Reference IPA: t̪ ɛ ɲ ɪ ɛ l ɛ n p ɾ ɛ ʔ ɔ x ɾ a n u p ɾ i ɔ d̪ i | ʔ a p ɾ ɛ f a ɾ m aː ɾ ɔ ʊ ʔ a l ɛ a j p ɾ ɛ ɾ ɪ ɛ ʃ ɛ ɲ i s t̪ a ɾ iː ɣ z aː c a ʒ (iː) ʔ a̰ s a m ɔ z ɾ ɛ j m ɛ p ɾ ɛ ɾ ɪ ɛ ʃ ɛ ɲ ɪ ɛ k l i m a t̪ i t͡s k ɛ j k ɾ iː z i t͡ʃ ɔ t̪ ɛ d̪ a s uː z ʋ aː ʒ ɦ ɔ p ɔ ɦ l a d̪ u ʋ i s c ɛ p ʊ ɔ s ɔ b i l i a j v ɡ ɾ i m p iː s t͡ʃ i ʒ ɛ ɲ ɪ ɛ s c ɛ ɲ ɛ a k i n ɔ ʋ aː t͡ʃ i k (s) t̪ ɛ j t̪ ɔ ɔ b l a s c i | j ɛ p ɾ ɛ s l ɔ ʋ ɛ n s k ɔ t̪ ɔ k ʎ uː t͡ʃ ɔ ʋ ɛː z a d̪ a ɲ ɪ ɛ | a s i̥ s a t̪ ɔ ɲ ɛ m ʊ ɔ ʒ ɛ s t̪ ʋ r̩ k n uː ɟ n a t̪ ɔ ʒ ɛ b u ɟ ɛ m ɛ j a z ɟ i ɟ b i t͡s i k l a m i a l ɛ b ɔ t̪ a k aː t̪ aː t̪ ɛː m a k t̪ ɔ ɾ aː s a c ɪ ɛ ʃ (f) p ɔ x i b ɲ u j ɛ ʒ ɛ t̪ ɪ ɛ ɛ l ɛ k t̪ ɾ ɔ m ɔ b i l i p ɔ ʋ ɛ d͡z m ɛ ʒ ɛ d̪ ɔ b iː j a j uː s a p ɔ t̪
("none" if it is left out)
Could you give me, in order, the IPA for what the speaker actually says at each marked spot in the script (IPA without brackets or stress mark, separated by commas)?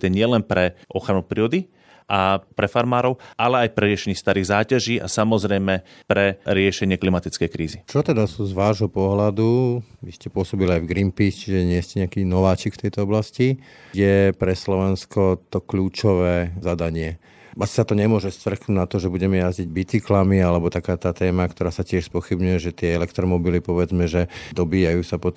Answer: iː, f, s